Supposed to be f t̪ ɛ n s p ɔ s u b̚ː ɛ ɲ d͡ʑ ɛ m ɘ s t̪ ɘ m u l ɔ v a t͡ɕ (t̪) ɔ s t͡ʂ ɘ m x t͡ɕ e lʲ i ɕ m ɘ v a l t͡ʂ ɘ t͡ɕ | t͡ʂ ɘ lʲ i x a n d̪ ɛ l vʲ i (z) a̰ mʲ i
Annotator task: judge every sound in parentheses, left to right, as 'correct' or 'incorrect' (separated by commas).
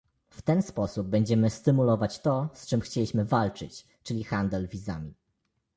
correct, correct